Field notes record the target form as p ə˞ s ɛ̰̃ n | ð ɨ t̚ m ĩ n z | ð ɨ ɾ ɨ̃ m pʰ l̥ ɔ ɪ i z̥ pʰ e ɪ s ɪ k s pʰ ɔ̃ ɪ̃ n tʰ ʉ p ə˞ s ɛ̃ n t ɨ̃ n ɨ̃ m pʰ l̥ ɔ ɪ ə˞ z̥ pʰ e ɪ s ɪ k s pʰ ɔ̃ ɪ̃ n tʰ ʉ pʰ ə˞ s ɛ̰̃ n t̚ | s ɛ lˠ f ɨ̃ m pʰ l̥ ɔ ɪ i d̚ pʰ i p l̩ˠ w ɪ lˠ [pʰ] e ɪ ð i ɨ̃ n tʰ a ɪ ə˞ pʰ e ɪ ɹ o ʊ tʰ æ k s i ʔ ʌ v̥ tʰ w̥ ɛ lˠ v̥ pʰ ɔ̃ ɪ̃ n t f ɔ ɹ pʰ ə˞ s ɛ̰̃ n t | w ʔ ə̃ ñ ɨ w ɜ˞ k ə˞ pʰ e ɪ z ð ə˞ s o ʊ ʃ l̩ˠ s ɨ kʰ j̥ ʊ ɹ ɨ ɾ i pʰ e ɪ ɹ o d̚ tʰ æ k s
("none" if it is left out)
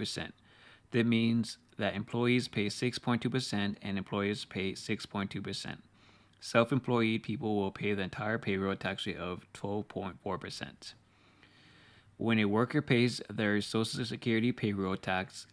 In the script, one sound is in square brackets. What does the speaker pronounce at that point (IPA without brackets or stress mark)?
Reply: pʰ